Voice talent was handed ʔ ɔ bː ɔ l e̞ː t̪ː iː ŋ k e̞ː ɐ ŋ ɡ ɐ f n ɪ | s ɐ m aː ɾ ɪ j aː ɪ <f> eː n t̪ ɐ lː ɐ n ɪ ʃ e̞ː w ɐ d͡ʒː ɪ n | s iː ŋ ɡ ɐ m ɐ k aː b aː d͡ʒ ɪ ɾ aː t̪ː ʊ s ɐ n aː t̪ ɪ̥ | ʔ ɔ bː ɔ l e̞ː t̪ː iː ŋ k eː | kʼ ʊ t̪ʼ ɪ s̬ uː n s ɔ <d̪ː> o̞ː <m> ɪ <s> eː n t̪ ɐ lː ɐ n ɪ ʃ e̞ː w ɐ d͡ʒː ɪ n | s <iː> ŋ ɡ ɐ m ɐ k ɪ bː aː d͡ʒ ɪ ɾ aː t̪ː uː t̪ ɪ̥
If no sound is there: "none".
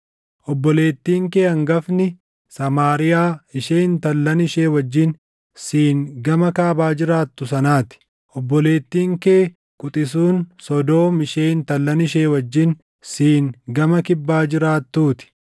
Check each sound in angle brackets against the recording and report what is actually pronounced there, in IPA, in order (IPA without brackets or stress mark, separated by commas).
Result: ʃ, d̪, m, ʃ, iː